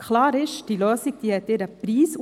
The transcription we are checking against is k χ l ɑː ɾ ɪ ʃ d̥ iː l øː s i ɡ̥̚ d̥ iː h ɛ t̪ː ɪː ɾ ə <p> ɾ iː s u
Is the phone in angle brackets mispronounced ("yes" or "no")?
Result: no